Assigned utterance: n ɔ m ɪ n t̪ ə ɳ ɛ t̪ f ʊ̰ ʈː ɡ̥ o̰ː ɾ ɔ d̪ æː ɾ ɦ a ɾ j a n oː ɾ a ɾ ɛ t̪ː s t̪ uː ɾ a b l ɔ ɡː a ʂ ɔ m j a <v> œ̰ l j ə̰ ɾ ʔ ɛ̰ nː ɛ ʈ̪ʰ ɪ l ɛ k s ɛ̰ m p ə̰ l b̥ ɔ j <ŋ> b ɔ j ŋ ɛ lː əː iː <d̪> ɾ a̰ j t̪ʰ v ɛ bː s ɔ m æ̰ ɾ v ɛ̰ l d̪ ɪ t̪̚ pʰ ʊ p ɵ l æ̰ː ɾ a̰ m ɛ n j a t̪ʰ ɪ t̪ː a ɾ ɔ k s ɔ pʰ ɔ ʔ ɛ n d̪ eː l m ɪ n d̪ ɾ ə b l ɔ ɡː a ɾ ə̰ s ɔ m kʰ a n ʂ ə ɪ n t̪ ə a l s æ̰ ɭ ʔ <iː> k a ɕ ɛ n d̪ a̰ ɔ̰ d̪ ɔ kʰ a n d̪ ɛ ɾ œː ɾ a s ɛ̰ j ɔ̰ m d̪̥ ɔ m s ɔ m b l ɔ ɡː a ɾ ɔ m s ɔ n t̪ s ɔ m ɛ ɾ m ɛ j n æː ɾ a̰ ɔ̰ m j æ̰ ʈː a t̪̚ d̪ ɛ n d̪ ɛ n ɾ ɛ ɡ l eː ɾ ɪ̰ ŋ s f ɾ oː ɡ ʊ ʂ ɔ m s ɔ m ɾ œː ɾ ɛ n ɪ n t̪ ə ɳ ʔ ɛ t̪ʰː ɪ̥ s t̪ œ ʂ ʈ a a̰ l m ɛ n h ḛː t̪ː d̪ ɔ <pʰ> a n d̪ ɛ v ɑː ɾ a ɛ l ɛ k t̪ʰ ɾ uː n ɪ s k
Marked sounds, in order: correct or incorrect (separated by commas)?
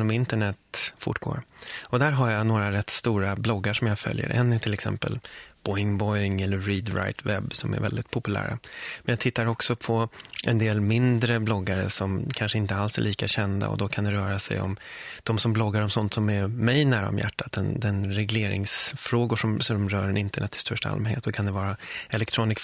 incorrect, correct, correct, correct, incorrect